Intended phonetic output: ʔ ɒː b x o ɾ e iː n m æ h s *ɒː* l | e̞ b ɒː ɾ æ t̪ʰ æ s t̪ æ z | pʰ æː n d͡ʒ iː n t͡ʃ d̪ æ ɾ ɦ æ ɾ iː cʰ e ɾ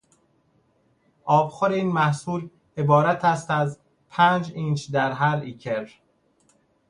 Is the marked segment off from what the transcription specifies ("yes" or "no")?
yes